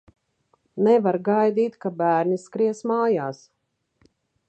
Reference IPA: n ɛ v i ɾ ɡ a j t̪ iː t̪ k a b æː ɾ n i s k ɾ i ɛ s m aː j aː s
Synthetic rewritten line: n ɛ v a ɾ ɡ a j d̪ iː t̪ k a b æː ɾ n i s k ɾ i ɛ s m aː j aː s